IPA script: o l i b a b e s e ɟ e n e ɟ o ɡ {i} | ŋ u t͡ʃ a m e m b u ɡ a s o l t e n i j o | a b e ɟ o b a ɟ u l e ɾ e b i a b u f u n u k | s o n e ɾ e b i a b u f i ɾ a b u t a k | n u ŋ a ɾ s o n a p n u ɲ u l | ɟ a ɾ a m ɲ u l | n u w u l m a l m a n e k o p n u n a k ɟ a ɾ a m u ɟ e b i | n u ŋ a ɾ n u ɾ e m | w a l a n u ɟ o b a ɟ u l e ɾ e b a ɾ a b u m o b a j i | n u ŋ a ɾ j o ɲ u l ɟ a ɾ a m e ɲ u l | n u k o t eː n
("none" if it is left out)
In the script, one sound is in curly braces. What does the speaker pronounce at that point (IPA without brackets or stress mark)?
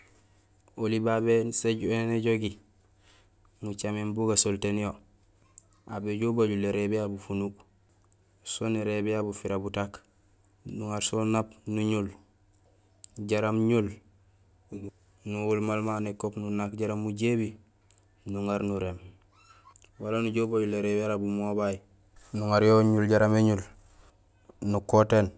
i